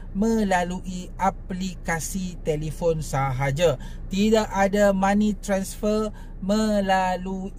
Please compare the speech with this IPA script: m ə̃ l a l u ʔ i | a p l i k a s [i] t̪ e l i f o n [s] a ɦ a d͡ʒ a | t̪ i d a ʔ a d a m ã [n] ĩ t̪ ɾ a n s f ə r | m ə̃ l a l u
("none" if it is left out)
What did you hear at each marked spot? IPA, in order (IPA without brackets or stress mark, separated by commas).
i, s, n